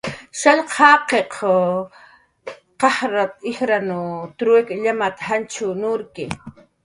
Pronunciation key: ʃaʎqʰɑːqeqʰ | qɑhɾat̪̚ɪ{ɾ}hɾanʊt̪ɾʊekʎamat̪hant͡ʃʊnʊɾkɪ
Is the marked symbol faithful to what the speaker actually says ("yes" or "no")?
no